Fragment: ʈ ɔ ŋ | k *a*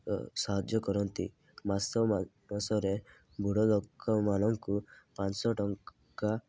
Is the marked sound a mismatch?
no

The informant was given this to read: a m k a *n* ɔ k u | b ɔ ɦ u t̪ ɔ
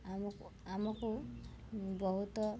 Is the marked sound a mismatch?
yes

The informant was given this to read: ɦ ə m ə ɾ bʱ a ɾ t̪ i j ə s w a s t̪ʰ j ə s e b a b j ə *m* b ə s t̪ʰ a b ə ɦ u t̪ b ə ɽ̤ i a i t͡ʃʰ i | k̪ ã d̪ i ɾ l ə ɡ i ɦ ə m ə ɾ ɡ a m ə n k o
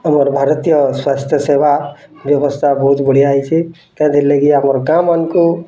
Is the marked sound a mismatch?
yes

